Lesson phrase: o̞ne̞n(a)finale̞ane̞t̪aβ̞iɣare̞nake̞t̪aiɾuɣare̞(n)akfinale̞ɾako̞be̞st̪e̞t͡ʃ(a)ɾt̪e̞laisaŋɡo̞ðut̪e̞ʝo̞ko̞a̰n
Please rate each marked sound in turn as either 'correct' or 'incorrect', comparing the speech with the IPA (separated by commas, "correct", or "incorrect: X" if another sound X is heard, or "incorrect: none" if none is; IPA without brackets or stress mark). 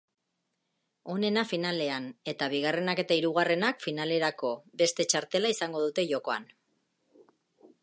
correct, correct, correct